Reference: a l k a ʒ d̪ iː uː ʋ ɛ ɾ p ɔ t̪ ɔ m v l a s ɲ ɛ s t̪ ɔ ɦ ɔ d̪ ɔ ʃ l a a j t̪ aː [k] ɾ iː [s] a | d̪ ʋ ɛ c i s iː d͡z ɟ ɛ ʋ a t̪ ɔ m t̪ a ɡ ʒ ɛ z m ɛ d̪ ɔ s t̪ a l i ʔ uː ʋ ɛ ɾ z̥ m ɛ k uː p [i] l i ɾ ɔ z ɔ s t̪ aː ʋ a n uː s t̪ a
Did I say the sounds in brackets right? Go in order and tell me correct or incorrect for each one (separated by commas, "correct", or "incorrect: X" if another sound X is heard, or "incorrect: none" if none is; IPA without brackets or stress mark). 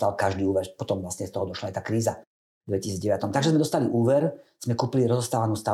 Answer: correct, incorrect: z, correct